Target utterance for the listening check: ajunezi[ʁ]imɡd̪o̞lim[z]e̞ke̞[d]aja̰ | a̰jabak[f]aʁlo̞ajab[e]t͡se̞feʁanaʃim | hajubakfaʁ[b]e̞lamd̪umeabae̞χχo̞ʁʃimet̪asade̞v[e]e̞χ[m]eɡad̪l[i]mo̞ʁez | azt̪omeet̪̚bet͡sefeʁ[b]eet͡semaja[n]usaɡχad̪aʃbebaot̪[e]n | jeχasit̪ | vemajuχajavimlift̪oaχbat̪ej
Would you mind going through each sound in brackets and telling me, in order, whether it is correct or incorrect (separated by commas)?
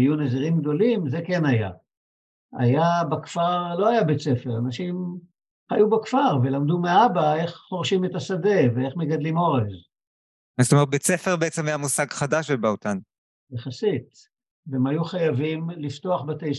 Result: correct, correct, incorrect, correct, correct, incorrect, correct, correct, correct, correct, incorrect, incorrect